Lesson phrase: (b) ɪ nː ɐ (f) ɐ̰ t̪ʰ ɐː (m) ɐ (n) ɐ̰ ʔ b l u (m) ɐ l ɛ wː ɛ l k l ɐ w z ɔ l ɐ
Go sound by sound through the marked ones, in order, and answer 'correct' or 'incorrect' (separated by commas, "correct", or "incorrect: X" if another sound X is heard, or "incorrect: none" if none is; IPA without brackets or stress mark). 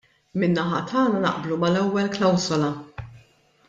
incorrect: m, incorrect: ħ, incorrect: n, correct, correct